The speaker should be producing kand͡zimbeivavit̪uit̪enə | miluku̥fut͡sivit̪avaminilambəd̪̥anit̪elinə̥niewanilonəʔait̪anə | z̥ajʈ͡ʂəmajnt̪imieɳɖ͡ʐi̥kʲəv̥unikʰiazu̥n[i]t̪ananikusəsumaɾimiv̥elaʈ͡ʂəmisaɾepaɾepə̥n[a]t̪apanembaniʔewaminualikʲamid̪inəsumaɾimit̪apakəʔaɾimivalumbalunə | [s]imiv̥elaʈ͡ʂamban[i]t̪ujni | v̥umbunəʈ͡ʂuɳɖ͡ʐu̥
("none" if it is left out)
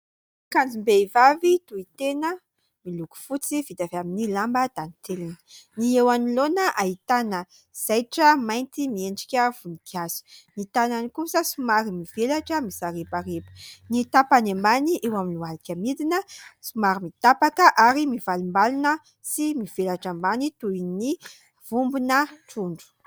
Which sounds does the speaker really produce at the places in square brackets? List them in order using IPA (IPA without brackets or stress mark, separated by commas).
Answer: i, i, s, i